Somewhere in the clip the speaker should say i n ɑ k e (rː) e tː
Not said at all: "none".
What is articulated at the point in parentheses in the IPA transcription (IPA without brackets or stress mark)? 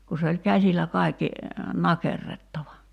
rː